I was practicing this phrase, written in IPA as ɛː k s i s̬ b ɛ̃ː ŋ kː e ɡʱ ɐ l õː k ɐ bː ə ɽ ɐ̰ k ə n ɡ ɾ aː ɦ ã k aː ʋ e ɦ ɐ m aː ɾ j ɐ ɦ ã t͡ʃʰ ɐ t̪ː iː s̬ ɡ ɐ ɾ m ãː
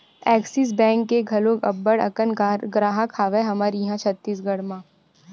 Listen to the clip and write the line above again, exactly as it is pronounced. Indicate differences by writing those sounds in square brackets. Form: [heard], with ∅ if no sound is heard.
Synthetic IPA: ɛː k s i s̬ b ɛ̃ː ŋ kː e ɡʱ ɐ l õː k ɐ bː ə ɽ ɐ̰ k ə n ɡ ɾ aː ɦ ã [kʰ] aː ʋ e ɦ ɐ m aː ɾ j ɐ ɦ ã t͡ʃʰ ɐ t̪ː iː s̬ ɡ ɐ [ɽ] m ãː